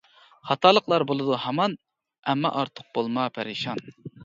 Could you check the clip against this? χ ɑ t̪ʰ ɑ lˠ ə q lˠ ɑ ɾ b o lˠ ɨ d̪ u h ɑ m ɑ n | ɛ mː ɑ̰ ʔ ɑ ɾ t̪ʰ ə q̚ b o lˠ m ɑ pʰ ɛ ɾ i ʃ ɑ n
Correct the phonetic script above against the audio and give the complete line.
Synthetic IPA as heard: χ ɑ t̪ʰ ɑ lˠ ə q lˠ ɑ ɾ b o lˠ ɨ d̪ u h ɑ m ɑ n | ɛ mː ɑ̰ ʔ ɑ ɾ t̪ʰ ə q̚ b o lˠ m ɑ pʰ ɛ ɾ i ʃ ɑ n